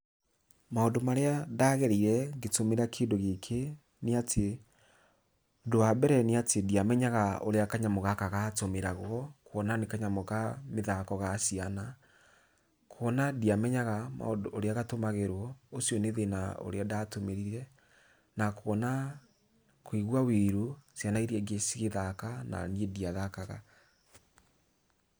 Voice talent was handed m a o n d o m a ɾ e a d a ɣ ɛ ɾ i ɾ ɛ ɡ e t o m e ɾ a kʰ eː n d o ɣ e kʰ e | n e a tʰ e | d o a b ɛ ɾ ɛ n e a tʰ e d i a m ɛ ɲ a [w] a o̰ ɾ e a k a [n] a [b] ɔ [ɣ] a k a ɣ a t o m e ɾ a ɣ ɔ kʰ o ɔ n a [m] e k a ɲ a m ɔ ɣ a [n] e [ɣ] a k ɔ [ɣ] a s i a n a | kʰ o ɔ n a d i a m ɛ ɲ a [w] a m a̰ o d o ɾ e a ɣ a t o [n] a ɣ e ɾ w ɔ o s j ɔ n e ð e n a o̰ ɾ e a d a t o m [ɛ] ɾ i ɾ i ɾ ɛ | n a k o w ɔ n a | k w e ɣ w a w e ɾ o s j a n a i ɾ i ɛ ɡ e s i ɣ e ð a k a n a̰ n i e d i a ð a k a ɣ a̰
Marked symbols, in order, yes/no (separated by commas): no, no, no, yes, no, no, no, yes, no, no, no